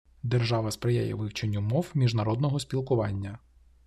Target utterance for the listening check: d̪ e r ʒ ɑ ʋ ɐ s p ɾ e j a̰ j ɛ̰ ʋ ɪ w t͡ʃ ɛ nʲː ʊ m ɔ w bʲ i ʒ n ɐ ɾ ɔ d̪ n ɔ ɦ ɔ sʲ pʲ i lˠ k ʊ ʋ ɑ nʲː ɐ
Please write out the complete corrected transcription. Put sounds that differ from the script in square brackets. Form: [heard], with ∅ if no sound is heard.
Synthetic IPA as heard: d̪ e r ʒ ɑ ʋ ɐ s p ɾ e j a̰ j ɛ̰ ʋ ɪ w t͡ʃ [e] nʲː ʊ m ɔ w [mʲ] i ʒ n ɐ ɾ ɔ d̪ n ɔ ɦ ɔ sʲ pʲ i lˠ k ʊ ʋ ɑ nʲː ɐ